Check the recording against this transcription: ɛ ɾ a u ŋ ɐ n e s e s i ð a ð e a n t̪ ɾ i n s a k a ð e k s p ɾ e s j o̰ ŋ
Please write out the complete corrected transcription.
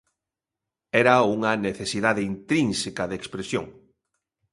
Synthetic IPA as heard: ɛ ɾ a u ŋ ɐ n e θ e s i ð a ð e i n t̪ ɾ i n s e k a ð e k s p ɾ e s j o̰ ŋ